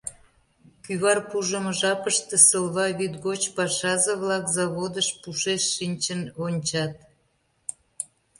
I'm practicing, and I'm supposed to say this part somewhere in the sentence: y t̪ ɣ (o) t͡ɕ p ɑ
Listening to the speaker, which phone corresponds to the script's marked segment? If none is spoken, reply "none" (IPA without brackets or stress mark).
o